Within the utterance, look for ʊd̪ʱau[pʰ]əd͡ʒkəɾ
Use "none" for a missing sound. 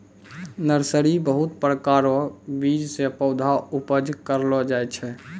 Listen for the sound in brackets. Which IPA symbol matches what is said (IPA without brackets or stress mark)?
p